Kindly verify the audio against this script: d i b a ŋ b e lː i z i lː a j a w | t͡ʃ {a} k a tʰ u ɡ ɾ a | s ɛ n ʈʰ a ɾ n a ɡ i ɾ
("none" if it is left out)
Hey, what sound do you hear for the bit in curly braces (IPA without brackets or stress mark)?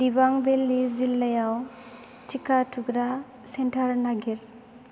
i